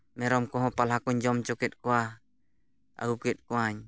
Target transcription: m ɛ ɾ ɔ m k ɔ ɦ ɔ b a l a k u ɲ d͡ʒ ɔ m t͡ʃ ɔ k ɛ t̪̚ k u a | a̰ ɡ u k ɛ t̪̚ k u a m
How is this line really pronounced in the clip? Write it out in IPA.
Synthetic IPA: m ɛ ɾ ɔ m k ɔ ɦ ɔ p a l a k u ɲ d͡ʒ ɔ m t͡ʃ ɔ k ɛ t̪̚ k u a | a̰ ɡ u k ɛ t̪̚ k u a ɲ